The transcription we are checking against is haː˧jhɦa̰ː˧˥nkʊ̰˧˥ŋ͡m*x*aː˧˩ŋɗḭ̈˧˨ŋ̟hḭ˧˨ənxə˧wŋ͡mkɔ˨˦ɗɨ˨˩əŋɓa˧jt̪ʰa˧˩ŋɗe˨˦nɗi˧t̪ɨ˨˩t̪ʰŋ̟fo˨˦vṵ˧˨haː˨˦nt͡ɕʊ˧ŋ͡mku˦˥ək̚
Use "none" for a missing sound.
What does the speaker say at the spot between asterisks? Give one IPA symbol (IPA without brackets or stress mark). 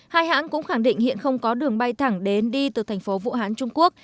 x